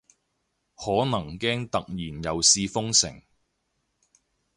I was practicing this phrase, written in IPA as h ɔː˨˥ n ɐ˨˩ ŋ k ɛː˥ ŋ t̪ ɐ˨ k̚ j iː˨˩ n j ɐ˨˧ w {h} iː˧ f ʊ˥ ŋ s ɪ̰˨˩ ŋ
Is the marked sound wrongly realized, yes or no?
yes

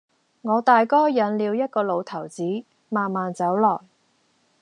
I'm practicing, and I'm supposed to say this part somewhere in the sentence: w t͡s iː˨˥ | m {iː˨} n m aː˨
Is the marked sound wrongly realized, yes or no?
yes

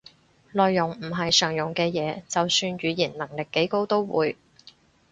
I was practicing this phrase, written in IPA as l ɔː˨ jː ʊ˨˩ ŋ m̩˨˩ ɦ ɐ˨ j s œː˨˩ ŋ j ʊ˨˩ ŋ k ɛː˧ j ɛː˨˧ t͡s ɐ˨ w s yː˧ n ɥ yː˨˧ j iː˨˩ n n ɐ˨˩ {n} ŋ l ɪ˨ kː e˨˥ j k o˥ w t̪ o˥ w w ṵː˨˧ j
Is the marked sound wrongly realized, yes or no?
yes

